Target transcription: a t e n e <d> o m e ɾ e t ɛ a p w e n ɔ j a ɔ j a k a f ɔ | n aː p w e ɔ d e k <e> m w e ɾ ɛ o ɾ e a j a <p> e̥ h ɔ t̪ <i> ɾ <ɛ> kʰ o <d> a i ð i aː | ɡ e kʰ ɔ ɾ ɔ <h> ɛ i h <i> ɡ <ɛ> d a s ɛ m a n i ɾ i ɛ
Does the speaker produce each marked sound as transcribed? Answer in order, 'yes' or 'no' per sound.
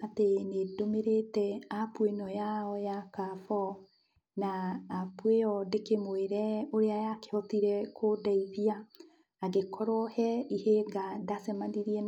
yes, yes, no, yes, yes, yes, yes, no, no

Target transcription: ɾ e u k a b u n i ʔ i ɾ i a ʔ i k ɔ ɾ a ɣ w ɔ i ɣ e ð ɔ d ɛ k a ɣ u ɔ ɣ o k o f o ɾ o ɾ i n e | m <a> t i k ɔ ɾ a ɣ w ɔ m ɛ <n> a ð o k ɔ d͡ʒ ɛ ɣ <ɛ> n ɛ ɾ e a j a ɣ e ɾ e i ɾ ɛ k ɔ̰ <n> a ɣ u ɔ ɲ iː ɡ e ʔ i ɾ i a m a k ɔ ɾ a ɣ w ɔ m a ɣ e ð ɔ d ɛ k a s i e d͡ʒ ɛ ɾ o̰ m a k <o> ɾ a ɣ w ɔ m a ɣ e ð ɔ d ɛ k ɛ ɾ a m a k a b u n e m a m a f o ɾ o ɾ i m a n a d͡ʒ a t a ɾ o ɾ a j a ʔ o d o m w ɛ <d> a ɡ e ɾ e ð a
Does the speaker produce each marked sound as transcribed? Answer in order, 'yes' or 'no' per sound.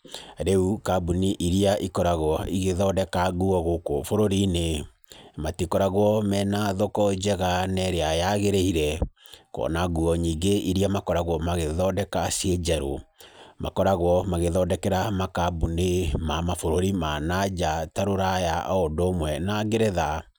yes, yes, no, yes, no, no

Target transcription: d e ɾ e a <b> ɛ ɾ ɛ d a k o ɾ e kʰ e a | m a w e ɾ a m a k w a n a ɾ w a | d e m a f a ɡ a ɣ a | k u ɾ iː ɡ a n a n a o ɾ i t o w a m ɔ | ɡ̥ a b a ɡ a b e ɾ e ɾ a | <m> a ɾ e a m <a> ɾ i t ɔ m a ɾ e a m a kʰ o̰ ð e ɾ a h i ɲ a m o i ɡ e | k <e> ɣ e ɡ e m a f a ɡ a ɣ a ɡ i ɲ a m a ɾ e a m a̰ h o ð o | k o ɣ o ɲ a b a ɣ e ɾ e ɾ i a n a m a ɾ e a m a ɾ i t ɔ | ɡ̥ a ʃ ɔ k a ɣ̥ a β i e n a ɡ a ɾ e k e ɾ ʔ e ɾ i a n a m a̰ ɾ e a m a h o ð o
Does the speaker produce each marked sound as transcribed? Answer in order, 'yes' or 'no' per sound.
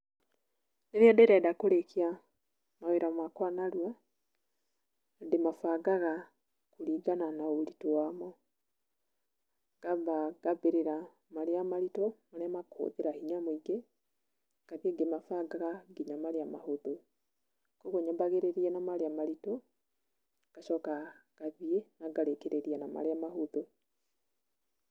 no, yes, yes, no

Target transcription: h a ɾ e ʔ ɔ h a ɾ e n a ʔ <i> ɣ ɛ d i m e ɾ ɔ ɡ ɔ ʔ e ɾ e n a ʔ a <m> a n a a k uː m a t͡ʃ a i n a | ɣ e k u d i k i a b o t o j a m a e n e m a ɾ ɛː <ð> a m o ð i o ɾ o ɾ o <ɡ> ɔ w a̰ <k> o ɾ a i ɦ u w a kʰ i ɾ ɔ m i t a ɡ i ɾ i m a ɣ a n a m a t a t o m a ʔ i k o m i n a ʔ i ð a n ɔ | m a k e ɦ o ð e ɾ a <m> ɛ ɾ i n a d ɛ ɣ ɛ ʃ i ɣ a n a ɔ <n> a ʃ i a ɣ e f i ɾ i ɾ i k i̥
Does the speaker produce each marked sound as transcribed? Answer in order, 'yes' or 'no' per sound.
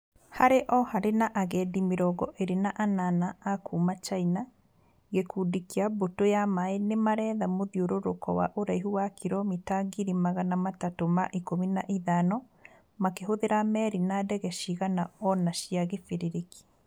no, no, yes, no, no, yes, yes

